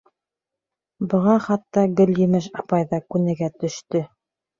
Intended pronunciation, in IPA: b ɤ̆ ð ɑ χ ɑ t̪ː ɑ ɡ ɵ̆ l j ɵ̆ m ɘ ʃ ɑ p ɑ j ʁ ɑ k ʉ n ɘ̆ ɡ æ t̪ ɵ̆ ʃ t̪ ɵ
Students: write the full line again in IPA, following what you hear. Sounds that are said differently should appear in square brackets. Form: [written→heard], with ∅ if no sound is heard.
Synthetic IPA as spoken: b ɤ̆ [ð→ʁ] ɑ χ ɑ t̪ː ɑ ɡ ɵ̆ l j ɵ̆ m ɘ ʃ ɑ p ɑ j [ʁ→ð] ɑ k ʉ n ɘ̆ ɡ æ t̪ ɵ̆ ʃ t̪ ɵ